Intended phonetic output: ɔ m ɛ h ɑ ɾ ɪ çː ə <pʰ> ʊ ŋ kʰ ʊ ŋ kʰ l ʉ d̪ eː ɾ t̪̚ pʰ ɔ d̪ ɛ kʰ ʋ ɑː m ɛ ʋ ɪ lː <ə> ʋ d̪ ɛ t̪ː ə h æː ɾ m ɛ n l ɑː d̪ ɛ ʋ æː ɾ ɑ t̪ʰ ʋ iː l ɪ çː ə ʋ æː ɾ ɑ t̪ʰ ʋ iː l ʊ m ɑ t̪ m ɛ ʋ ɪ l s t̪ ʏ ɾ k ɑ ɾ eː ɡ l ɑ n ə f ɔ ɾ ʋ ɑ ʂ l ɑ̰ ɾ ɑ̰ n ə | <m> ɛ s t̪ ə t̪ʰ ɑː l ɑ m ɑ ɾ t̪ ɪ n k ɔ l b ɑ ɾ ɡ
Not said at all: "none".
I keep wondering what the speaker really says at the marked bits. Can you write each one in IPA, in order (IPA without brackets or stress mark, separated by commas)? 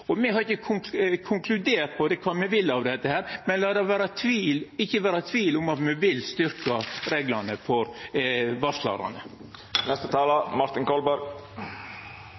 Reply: kʰ, ɑ, n